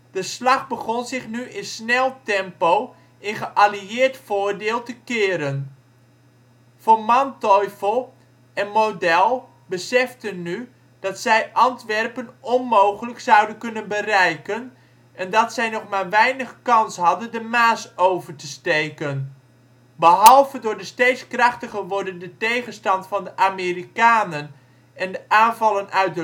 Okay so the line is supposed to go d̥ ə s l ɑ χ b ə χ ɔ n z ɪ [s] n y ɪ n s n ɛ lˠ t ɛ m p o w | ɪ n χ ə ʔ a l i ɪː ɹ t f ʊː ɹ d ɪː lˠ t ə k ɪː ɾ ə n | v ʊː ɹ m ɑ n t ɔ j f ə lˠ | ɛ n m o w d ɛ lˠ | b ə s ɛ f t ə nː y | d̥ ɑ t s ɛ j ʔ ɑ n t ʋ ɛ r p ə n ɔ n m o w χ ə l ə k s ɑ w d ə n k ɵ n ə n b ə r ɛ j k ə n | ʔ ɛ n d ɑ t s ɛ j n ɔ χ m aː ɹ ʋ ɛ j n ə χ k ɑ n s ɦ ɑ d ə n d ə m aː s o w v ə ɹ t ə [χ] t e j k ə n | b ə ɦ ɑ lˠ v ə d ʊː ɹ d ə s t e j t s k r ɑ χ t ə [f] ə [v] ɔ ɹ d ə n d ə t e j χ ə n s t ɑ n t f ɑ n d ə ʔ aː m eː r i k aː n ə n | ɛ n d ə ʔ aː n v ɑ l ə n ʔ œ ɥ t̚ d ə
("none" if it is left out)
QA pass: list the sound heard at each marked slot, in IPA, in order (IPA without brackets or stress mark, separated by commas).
χ, s, χ, ʋ